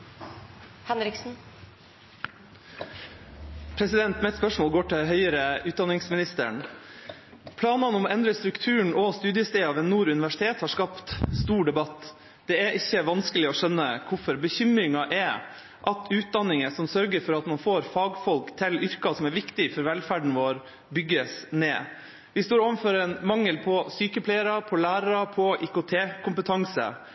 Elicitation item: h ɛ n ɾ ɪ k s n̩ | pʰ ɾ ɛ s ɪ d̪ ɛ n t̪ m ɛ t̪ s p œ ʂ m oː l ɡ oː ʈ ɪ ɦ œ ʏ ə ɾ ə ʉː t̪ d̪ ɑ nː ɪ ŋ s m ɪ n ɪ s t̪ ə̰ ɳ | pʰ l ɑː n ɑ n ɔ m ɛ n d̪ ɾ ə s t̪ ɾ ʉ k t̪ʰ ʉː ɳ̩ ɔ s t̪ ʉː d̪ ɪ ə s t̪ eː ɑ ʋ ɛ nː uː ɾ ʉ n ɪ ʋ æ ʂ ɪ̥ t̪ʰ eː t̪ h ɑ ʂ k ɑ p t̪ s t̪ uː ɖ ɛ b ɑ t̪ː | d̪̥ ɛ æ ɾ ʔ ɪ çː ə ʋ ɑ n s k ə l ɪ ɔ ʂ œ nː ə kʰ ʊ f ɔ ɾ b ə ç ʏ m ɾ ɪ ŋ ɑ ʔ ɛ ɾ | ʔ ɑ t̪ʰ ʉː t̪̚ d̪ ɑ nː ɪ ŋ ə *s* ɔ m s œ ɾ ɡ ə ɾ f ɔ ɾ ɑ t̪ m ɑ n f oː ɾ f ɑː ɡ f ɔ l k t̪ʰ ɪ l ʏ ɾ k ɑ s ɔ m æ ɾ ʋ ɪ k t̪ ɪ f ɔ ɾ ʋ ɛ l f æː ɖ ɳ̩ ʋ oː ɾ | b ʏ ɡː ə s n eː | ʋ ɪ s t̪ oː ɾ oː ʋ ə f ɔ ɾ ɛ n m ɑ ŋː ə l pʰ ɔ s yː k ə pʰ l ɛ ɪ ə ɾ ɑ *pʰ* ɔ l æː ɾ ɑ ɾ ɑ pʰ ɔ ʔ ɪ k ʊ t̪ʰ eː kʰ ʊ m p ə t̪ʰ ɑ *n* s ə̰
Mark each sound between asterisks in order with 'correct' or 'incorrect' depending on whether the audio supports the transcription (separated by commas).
correct, correct, incorrect